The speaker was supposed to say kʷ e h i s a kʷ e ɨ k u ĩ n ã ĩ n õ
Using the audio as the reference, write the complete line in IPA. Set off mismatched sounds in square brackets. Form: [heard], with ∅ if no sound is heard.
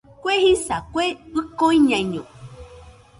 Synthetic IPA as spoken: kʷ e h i s a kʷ e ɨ k [o] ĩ [ɲ] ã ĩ [ɲ] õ